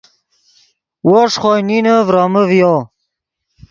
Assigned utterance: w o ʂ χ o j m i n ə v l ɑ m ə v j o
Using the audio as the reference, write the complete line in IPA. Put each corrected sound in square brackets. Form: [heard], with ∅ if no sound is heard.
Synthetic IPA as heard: w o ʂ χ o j [n] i n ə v [ɾ] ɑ m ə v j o